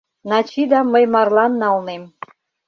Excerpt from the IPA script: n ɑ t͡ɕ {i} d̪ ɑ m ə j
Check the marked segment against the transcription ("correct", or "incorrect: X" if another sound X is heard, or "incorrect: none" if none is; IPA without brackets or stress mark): correct